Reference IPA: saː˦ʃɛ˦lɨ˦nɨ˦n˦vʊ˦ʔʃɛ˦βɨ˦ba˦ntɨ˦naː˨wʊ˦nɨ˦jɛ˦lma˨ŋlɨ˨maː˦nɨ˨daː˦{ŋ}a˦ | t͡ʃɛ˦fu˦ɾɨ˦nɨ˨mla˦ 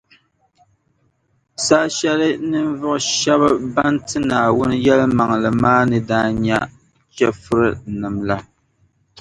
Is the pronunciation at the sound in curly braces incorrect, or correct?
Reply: incorrect